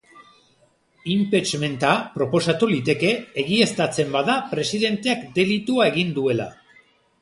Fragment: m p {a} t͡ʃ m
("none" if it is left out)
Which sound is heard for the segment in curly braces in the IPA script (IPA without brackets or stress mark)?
e